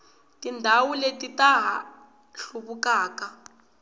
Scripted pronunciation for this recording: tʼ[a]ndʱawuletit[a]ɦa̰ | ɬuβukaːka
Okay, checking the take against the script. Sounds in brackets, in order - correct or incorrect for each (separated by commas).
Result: incorrect, correct